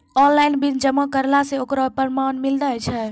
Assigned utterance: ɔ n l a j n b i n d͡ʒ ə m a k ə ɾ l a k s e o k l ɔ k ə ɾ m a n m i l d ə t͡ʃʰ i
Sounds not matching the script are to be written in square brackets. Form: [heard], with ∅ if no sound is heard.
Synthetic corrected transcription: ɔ n l a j n b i n d͡ʒ ə m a k ə ɾ l a [∅] s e o k [ɾ] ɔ [p] ə ɾ m a n m i l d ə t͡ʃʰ [ɛ]